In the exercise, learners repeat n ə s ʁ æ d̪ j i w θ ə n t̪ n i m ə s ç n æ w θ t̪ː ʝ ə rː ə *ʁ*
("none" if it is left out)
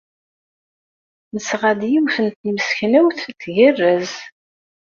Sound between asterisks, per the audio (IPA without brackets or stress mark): z